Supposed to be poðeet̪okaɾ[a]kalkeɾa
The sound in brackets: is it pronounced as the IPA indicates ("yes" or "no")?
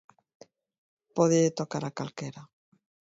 yes